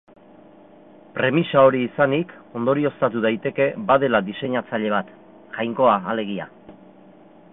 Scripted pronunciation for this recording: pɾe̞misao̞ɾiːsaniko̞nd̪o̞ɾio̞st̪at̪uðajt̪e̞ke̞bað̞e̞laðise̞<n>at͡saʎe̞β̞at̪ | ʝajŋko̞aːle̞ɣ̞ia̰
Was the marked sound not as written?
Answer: yes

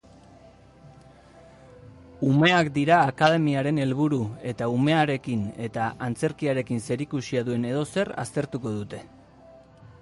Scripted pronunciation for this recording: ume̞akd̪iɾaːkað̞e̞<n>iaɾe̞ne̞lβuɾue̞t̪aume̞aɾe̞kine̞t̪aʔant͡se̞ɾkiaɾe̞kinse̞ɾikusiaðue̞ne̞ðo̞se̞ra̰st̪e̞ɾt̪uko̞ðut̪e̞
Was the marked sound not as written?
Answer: yes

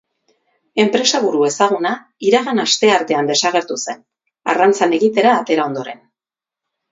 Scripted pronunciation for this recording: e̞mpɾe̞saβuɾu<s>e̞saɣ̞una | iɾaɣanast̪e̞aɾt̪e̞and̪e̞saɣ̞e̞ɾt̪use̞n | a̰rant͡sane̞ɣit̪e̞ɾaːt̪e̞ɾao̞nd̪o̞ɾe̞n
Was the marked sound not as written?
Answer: yes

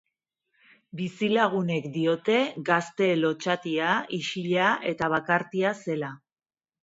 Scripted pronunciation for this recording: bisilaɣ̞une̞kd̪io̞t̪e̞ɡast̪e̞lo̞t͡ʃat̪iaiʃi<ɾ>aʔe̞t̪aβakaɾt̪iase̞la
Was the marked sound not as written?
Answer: yes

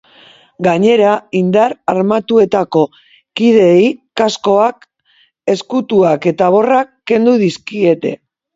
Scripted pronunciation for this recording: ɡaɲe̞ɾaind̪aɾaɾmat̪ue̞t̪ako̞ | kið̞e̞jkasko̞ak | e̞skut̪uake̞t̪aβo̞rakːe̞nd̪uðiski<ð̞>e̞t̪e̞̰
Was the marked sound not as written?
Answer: yes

